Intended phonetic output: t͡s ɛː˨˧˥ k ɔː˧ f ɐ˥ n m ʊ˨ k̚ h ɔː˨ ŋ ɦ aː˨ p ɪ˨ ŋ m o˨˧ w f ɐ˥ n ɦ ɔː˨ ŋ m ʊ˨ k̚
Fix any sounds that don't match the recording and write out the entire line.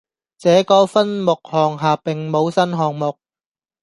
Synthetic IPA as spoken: t͡s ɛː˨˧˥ k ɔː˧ f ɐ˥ n m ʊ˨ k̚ h ɔː˨ ŋ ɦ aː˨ p ɪ˨ ŋ m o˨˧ w s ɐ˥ n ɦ ɔː˨ ŋ m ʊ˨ k̚